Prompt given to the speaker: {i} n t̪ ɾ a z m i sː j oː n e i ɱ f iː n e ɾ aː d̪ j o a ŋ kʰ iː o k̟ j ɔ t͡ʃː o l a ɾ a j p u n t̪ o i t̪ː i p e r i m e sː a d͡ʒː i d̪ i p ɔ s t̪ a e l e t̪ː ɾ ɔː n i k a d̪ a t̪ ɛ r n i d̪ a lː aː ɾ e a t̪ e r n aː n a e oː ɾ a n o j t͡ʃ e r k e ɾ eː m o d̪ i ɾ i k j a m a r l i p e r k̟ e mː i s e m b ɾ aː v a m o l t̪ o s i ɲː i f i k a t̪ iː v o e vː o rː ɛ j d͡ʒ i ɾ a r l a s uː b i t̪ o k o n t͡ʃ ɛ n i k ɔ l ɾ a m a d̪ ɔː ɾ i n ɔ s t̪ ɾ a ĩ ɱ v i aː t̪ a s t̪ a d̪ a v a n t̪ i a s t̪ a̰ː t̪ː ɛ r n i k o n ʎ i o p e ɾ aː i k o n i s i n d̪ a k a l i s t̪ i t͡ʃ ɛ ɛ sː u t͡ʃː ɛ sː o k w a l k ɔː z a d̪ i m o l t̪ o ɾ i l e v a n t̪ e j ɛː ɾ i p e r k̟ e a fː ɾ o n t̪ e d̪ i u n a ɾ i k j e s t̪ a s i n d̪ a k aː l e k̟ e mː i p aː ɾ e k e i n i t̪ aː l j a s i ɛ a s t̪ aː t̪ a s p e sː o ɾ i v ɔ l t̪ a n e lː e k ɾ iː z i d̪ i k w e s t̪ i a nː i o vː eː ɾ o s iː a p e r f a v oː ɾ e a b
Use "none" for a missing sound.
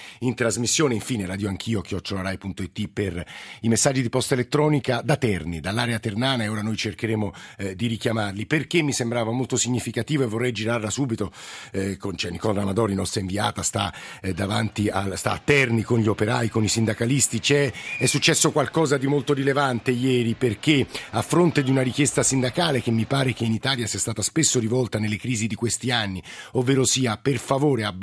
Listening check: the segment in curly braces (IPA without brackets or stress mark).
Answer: i